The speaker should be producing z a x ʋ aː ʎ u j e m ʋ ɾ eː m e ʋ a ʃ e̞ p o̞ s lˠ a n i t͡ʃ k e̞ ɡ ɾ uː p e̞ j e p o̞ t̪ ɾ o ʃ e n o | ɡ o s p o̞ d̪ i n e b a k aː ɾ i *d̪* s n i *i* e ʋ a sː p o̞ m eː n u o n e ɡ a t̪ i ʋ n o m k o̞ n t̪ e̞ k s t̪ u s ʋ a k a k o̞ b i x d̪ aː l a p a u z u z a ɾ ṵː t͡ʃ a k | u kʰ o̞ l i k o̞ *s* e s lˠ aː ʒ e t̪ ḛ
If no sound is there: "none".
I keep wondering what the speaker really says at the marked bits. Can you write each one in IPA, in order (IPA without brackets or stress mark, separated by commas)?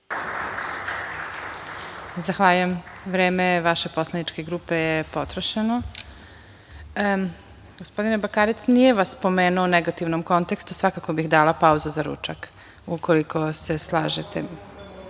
t̪, j, s